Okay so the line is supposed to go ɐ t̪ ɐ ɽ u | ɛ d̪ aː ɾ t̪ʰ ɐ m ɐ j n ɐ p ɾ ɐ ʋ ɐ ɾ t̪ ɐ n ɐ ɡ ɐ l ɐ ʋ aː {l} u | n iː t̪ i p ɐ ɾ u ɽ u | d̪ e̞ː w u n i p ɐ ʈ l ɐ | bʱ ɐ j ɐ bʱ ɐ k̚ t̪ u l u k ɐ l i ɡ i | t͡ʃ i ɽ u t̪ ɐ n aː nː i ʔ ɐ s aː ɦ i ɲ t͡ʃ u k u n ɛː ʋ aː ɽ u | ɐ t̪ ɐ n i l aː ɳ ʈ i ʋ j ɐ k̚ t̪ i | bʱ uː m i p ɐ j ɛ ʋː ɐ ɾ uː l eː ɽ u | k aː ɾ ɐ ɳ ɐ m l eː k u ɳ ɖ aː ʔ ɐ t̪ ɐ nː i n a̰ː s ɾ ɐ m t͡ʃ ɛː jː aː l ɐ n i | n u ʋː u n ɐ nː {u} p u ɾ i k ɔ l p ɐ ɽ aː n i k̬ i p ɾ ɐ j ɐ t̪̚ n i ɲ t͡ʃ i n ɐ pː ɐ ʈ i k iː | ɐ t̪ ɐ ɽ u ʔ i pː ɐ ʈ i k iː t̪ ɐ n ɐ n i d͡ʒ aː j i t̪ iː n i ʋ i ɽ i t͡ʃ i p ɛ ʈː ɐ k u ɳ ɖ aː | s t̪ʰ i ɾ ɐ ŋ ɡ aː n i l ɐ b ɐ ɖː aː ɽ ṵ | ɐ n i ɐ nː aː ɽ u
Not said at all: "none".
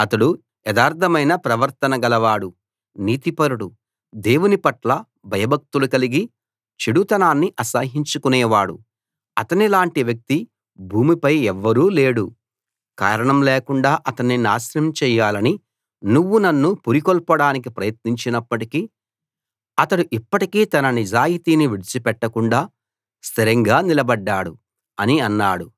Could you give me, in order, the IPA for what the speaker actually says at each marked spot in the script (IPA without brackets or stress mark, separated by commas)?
ɽ, u